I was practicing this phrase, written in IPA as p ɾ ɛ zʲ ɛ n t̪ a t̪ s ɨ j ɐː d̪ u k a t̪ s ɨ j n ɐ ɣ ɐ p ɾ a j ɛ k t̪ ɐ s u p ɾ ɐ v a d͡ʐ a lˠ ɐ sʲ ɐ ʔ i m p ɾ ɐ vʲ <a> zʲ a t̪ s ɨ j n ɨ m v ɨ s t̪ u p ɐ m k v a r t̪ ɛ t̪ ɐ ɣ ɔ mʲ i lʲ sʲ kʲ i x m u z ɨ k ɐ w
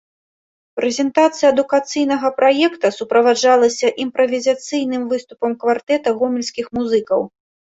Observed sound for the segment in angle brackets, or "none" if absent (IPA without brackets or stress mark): i